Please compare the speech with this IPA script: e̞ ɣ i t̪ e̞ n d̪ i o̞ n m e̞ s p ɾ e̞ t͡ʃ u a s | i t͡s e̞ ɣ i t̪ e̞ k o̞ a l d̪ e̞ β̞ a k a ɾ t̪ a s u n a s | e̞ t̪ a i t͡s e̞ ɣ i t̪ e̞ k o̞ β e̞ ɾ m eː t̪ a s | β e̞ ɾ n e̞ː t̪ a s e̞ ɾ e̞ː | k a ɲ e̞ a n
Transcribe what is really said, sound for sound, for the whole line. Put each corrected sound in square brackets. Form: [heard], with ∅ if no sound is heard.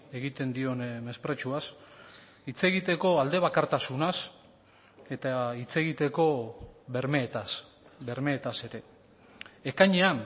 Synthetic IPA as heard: e̞ ɣ i t̪ e̞ n d̪ i o̞ n m e̞ s p ɾ e̞ t͡ʃ u a s | i t͡s e̞ ɣ i t̪ e̞ k o̞ a l d̪ e̞ β̞ a k a ɾ t̪ a s u n a s | e̞ t̪ a i t͡s e̞ ɣ i t̪ e̞ k o̞ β e̞ ɾ m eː t̪ a s | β e̞ ɾ [m] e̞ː t̪ a s e̞ ɾ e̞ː | k a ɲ e̞ a n